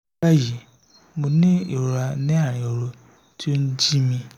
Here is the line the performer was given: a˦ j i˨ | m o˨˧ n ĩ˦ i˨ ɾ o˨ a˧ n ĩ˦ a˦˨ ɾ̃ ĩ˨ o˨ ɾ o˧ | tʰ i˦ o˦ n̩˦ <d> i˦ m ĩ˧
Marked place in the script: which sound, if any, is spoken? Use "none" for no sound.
d͡ʒ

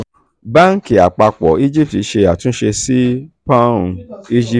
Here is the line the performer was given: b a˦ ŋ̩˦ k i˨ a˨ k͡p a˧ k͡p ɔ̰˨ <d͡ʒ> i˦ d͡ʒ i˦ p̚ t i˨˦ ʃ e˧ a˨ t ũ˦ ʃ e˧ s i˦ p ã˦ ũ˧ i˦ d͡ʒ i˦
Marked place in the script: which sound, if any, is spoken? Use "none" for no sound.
none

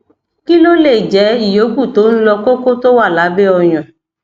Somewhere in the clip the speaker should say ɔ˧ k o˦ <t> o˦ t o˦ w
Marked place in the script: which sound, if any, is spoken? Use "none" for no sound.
k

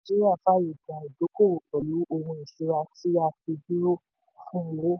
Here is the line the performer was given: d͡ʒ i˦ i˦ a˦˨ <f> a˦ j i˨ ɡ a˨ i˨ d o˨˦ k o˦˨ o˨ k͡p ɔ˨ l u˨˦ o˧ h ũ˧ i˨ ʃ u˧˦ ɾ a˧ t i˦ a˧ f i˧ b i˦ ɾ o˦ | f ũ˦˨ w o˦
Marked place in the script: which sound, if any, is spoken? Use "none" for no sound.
f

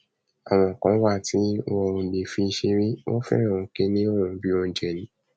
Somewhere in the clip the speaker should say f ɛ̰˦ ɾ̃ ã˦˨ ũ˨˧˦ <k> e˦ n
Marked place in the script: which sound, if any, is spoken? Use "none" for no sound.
k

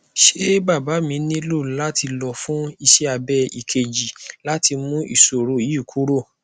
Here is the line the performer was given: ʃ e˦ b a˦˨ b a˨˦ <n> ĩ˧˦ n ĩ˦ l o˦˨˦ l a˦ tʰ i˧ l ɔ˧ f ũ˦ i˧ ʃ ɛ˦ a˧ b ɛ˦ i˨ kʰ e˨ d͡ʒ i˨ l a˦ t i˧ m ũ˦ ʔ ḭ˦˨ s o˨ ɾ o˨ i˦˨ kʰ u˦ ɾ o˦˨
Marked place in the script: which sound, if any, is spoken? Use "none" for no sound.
m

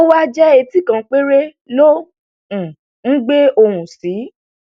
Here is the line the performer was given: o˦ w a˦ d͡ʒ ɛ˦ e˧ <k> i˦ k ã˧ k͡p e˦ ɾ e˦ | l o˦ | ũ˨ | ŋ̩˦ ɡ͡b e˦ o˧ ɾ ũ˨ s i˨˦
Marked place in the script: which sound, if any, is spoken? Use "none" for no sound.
t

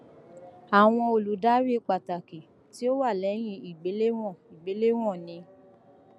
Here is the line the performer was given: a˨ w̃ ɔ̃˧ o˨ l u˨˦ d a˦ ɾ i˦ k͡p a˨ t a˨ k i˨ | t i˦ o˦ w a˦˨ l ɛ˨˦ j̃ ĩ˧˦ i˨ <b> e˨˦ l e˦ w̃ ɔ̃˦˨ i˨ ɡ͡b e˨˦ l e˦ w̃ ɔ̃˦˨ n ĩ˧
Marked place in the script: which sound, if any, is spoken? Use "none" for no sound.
ɡ͡b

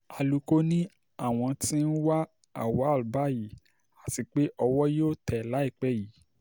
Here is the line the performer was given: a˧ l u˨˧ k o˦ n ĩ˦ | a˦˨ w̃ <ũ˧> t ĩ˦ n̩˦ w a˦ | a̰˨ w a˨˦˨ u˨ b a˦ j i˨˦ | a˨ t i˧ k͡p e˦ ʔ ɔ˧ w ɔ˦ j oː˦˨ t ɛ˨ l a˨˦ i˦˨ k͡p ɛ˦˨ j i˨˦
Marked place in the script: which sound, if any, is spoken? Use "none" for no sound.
ɔ̃˧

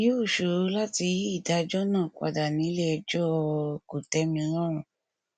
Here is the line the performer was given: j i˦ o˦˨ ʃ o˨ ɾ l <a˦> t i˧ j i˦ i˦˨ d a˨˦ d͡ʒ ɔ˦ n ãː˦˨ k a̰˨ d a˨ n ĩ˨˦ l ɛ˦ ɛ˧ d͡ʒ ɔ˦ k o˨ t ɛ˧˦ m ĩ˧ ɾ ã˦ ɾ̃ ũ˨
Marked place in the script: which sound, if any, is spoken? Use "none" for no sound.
a˦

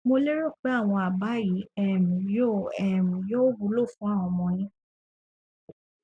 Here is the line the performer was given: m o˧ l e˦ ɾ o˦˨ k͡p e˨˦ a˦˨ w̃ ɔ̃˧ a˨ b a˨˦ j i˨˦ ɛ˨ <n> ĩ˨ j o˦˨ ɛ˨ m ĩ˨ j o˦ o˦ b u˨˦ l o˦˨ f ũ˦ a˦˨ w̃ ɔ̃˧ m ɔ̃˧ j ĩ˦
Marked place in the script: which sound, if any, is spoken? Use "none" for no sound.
m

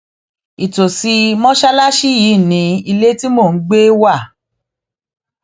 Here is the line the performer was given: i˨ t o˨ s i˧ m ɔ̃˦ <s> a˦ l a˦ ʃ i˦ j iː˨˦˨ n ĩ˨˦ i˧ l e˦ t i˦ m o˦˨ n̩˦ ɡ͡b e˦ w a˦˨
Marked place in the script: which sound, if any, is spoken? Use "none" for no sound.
ʃ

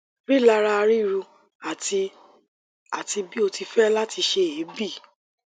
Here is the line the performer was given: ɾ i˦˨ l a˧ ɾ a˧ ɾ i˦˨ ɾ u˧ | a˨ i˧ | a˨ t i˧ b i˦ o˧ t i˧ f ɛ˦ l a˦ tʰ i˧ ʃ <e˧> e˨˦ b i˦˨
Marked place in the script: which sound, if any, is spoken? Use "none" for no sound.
e˧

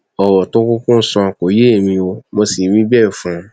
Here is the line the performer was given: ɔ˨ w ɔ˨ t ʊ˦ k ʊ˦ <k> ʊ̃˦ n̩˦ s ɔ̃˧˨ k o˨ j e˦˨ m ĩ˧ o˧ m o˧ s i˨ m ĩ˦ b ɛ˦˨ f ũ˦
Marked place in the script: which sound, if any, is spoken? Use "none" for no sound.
k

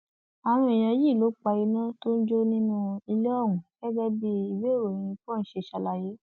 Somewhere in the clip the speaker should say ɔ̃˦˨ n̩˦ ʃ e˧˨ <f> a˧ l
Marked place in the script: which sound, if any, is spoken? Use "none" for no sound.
ʃ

